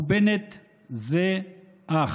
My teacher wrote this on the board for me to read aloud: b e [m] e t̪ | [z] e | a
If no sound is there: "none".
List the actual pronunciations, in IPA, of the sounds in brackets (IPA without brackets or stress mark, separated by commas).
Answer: n, z